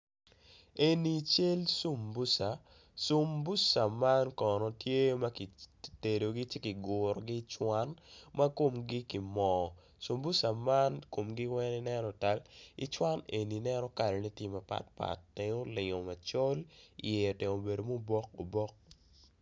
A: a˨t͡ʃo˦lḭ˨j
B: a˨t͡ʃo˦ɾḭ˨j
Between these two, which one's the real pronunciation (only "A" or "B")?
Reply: A